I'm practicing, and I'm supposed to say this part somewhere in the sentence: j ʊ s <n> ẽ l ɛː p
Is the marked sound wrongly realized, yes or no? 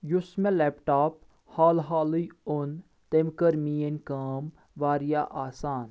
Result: yes